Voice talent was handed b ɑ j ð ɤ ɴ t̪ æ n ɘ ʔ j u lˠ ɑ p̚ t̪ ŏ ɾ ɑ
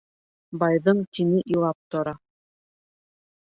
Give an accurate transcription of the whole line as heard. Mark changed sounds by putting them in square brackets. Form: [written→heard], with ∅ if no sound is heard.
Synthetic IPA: b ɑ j ð ɤ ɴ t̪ [æ→i] n ɘ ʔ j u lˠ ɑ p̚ t̪ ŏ ɾ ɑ

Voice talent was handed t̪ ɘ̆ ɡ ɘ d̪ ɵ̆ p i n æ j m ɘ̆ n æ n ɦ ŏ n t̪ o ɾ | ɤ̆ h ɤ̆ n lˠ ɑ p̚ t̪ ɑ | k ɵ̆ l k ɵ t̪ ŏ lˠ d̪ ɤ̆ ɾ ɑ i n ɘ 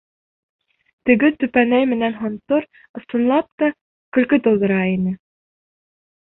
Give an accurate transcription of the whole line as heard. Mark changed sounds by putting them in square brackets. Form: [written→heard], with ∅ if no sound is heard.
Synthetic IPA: t̪ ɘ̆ ɡ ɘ [d̪→t̪] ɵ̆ p [i→æ] n æ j m ɘ̆ n æ n ɦ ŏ n t̪ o ɾ | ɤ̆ [h→s] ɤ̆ n lˠ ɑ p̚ t̪ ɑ | k ɵ̆ l k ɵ t̪ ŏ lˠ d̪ ɤ̆ ɾ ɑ i n ɘ

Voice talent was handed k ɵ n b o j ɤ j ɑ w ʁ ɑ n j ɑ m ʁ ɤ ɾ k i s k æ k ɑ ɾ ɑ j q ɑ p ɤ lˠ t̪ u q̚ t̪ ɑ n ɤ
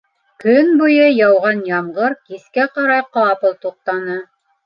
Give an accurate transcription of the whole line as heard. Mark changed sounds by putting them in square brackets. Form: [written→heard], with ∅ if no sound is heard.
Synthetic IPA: k ɵ n b [o→u] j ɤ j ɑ w ʁ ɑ n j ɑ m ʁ ɤ ɾ k i s k æ [k→q] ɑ ɾ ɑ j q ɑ p ɤ lˠ t̪ u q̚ t̪ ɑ n ɤ

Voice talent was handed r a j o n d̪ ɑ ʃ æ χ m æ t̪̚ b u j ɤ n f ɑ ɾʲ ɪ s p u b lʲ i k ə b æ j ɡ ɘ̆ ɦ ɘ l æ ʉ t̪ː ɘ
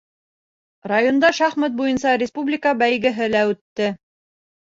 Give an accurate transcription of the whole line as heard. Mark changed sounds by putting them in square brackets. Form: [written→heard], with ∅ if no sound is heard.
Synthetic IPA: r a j o n d̪ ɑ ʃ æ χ m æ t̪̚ b u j ɤ n [f→s] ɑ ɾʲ ɪ s p u b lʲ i k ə b æ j ɡ ɘ̆ ɦ ɘ l æ ʉ t̪ː ɘ

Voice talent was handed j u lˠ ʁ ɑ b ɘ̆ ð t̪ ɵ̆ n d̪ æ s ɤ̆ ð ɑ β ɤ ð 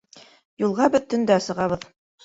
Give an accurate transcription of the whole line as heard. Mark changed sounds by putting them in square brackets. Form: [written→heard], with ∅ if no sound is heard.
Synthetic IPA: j u lˠ ʁ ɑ b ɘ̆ ð t̪ ɵ̆ n d̪ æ s ɤ̆ [ð→ʁ] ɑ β ɤ ð

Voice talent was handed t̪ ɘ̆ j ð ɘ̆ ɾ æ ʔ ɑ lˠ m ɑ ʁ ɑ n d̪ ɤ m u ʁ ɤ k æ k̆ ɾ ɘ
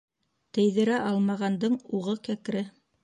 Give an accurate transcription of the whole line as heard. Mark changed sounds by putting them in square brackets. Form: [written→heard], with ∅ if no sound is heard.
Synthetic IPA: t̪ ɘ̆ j ð ɘ̆ ɾ æ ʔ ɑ lˠ m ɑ ʁ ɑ n d̪ ɤ [m→ɴ] u ʁ ɤ k æ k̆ ɾ ɘ

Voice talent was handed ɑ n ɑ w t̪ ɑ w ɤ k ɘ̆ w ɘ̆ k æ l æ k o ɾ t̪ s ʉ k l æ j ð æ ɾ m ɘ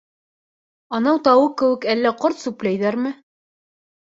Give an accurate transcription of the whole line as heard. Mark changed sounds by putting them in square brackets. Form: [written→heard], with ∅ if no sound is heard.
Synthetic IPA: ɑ n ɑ w t̪ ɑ w ɤ k ɘ̆ w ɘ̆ k æ [l→lː] æ [k→q] o ɾ t̪ s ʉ [k→p] l æ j ð æ ɾ m ɘ

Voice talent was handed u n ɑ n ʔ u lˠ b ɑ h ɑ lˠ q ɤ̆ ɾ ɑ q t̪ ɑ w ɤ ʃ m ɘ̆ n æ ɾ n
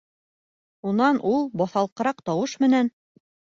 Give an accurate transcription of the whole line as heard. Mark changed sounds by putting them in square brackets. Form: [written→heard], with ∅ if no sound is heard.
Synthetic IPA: u n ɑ n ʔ u lˠ b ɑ [h→θ] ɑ lˠ q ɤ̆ ɾ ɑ q t̪ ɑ w ɤ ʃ m ɘ̆ n æ [ɾ→∅] n

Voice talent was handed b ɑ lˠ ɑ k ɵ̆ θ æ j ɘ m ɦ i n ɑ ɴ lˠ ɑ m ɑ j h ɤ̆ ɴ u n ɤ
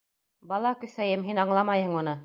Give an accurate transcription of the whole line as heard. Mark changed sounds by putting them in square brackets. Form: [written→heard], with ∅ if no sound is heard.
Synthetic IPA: b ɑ lˠ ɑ k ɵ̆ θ æ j ɘ m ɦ i n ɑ ɴ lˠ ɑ m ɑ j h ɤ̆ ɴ u n ɤ

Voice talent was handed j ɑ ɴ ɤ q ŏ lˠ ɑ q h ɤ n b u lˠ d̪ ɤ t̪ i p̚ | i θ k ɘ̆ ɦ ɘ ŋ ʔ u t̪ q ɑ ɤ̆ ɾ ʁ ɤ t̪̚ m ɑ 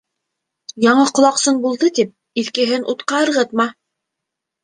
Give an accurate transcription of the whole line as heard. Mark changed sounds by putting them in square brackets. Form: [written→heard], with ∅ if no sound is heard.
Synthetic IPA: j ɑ ɴ ɤ q ŏ lˠ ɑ q [h→s] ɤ n b u lˠ d̪ ɤ t̪ i p̚ | i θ k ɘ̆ ɦ ɘ [ŋ→n] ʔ u t̪ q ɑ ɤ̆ ɾ ʁ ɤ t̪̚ m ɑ

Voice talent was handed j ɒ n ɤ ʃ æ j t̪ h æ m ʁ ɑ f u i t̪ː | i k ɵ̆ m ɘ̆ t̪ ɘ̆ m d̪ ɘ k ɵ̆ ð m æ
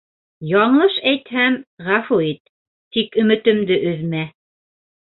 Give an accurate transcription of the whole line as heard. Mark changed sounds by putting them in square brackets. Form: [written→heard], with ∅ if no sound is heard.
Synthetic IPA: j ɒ [n→ɴ] ɤ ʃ æ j t̪ h æ m ʁ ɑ f u i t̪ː | i k ɵ̆ m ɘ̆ t̪ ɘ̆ m d̪ ɘ [k→ʔ] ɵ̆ ð m æ

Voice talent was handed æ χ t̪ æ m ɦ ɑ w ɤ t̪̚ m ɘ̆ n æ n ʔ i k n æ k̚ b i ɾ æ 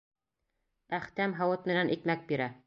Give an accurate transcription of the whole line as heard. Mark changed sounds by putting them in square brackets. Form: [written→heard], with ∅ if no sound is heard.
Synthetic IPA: æ χ t̪ æ m ɦ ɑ w ɤ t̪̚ m ɘ̆ n æ n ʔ i k [n→m] æ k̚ b i ɾ æ

